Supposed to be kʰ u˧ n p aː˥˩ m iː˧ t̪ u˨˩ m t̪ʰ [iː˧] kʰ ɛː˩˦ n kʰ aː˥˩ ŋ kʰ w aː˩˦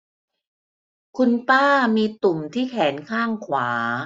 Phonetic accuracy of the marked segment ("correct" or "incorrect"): incorrect